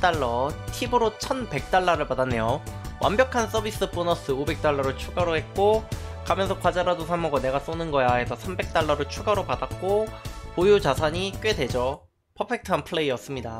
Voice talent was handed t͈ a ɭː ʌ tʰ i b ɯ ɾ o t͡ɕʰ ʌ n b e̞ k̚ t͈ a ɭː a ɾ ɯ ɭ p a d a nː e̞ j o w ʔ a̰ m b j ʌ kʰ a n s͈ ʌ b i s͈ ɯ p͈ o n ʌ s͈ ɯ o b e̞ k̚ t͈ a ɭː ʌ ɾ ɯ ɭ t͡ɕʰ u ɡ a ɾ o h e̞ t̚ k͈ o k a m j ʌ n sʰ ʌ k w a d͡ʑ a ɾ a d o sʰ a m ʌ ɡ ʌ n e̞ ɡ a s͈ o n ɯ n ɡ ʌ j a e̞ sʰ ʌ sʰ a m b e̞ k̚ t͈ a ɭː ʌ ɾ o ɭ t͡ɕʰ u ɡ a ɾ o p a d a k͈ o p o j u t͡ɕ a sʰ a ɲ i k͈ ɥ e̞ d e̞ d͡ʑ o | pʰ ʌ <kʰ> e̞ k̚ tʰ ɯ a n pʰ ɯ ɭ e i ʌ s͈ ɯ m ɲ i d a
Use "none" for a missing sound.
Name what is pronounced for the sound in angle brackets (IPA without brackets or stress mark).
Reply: pʰ